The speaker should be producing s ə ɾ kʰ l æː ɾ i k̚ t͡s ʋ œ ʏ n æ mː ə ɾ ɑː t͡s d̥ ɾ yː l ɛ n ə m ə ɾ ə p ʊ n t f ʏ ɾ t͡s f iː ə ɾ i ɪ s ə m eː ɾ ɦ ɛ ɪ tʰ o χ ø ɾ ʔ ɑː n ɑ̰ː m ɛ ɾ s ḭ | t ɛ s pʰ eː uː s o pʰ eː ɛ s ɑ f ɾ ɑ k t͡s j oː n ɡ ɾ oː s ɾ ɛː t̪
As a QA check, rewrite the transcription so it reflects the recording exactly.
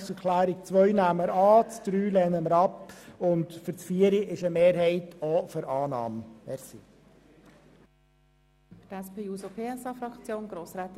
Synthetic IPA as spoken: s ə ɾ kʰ l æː ɾ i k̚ t͡s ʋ œ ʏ n æ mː ə ɾ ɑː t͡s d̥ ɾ yː l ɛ n ə m ə ɾ ɑ p ʊ n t f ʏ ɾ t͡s f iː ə ɾ i ɪ ʃ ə m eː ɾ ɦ ɛ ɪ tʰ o f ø ɾ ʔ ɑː n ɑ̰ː m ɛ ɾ s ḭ | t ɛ s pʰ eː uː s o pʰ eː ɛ s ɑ f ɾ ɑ k t͡s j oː n ɡ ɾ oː s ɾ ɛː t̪